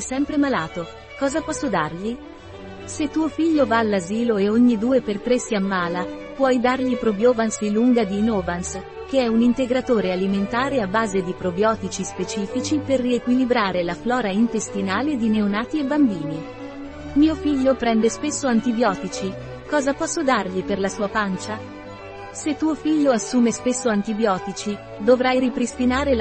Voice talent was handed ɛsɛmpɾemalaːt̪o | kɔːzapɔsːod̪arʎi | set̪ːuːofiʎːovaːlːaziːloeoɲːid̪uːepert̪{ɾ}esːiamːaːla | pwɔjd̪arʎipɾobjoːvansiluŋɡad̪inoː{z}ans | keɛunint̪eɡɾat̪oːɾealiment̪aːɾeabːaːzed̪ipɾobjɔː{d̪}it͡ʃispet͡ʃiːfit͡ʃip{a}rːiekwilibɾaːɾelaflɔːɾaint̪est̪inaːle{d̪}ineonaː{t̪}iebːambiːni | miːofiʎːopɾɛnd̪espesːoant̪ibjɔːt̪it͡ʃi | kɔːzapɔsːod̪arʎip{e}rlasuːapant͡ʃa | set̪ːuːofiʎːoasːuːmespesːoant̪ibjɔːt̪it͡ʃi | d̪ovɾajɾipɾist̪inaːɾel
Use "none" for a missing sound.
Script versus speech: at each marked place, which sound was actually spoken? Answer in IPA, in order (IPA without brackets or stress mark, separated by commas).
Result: ɾ, v, t̪, e, d̪, t̪, e